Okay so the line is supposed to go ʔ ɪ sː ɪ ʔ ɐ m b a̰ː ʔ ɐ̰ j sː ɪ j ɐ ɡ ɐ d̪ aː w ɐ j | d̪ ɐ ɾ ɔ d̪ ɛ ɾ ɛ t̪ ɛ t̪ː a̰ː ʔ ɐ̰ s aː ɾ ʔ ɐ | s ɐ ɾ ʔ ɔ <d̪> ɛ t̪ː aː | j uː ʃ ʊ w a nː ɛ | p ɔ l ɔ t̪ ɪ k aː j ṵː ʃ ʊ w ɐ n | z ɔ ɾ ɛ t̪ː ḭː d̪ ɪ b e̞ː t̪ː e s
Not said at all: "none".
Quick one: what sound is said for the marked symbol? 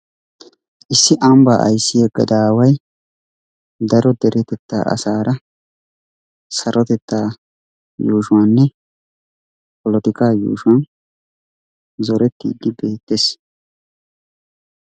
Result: t̪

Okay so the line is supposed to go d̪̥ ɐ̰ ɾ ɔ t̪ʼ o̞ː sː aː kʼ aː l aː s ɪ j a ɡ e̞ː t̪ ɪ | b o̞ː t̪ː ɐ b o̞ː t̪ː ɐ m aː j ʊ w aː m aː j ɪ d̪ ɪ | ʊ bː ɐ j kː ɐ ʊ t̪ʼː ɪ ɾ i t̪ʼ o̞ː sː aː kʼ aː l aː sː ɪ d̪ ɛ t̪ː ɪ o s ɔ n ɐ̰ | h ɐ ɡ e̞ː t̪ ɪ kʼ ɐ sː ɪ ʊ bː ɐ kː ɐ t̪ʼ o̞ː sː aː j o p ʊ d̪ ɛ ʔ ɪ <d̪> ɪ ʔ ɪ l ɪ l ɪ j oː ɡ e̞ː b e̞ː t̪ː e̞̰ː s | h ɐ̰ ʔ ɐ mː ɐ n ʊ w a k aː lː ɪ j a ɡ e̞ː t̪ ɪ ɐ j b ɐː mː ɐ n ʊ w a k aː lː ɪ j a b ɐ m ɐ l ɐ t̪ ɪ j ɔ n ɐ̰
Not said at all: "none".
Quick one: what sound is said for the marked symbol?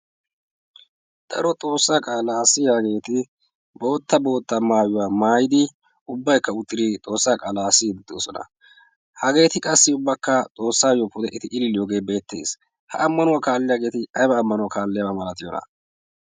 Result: t̪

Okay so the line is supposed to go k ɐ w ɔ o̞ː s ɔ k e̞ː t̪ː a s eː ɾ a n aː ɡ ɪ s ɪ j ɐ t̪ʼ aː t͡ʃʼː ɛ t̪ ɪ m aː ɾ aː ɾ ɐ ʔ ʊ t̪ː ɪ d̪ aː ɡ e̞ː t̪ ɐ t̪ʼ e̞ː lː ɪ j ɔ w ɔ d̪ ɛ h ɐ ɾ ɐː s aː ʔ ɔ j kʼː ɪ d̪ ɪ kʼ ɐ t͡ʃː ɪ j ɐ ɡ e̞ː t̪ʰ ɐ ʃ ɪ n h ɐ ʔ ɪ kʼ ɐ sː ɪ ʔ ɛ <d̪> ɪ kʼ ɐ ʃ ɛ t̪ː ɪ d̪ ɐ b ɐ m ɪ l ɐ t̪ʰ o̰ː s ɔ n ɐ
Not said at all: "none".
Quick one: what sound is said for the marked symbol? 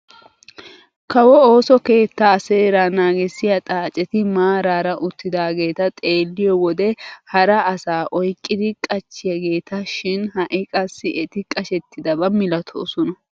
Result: t̪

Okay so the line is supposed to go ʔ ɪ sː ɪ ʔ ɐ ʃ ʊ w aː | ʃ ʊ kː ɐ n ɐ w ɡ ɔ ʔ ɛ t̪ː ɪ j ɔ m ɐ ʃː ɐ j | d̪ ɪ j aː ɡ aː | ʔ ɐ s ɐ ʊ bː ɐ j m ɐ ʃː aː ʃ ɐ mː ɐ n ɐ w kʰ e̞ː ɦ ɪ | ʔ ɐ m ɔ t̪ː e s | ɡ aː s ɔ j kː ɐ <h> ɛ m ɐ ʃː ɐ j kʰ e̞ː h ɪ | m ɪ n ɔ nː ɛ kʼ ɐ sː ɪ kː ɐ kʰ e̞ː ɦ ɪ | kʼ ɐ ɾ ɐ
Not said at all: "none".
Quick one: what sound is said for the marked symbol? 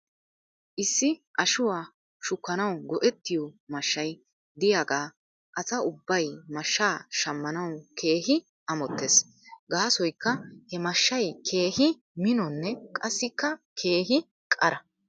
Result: h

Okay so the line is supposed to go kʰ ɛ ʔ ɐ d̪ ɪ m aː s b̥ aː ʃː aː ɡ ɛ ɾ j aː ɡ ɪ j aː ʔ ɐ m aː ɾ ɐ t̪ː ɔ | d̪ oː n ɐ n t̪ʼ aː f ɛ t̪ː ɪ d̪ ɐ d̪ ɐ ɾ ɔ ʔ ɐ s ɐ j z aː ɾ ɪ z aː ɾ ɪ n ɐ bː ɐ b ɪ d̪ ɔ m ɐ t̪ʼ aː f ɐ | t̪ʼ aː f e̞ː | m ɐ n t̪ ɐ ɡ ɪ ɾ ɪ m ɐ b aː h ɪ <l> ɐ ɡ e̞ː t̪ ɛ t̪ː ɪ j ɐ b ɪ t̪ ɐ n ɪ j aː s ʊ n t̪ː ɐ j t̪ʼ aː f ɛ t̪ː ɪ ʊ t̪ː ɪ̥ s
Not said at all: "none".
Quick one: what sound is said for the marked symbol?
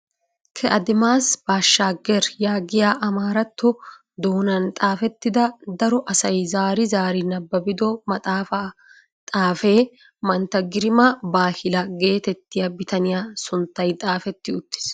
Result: l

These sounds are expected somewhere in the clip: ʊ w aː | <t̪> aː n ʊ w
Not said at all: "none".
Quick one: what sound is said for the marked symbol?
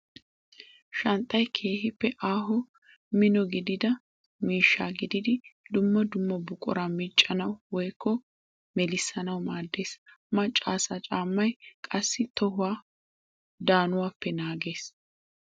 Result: d̪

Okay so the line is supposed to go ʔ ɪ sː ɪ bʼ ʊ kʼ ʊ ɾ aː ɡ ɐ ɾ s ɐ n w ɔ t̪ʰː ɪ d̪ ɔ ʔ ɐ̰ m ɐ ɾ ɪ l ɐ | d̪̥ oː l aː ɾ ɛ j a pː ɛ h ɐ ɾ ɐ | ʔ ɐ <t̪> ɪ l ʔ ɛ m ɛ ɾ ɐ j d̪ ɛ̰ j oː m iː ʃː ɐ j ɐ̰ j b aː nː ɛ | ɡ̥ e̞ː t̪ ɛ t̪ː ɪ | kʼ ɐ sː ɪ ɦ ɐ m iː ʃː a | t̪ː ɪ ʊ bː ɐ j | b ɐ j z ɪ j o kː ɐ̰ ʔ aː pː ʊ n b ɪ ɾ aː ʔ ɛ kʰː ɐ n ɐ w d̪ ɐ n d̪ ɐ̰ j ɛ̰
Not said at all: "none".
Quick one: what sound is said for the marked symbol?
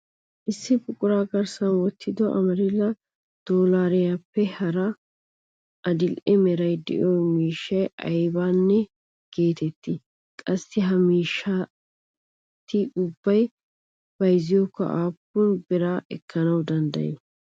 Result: d̪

